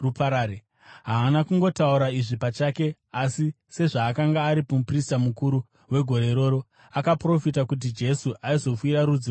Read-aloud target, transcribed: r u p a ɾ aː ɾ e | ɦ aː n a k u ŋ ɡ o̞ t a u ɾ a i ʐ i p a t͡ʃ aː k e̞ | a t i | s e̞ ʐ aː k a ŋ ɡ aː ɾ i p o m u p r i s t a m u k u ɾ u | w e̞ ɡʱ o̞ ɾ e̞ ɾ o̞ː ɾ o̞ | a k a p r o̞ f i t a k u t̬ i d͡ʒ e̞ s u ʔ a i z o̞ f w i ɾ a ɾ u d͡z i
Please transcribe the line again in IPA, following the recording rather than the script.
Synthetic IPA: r u p a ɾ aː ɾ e | ɦ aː n a k u ŋ ɡ o̞ t a u ɾ a i ʐ i p a t͡ʃ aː k e̞ | a s i | s e̞ ʐ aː k a ŋ ɡ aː ɾ i p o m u p r i s t a m u k u ɾ u | w e̞ ɡʱ o̞ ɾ e̞ ɾ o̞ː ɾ o̞ | a k a p r o̞ f i t a k u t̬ i d͡ʒ e̞ s u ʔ a i z o̞ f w i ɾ a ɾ u d͡z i